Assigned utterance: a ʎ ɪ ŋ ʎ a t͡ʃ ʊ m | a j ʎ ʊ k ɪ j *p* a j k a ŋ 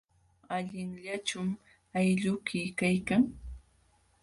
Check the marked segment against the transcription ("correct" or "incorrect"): incorrect